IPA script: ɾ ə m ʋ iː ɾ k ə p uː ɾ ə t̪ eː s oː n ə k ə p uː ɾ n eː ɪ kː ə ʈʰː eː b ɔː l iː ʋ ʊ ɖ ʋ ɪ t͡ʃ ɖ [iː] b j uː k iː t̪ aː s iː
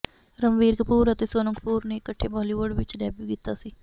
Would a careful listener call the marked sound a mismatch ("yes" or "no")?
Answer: yes